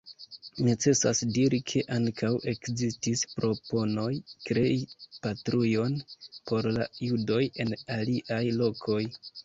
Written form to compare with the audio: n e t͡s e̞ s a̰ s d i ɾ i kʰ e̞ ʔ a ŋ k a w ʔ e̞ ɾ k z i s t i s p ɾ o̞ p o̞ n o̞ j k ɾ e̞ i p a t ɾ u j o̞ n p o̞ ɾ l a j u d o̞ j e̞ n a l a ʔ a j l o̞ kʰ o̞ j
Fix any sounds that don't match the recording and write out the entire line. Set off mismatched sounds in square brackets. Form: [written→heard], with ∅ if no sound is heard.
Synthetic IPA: n e t͡s e̞ s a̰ s d i ɾ i kʰ e̞ ʔ a ŋ k a w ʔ e̞ [ɾ→∅] k z i s t i s p ɾ o̞ p o̞ n o̞ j k ɾ e̞ i p a t ɾ u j o̞ n p o̞ ɾ l a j u d o̞ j e̞ n a l [a→i] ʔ a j l o̞ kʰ o̞ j